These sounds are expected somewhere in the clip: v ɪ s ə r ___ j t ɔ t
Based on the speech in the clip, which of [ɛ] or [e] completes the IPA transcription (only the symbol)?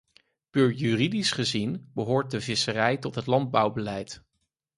ɛ